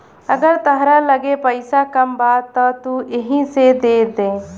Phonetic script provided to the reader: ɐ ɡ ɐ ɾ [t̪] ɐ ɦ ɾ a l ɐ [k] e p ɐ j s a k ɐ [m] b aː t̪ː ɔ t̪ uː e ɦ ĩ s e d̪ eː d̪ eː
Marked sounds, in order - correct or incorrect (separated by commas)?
correct, incorrect, correct